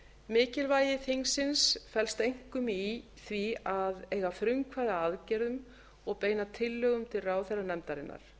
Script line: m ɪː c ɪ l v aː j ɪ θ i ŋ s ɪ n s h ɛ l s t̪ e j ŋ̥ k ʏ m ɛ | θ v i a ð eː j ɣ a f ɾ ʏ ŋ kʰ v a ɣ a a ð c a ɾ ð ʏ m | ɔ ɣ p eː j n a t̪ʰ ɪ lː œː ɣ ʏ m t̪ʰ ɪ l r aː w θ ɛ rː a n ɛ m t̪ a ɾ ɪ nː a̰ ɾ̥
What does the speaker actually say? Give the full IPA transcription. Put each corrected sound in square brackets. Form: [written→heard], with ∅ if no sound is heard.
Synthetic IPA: m ɪː c ɪ l v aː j ɪ θ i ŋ s ɪ n s [h→f] ɛ l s t̪ e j ŋ̥ k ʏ m [ɛ→i] | θ v i a ð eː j ɣ a f ɾ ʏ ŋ kʰ v a [ɣ→ð] a a ð c [a→ɛ] ɾ ð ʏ m | ɔ ɣ p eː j n a t̪ʰ ɪ lː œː ɣ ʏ m t̪ʰ ɪ l r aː w θ ɛ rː a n ɛ m t̪ a ɾ ɪ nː a̰ ɾ̥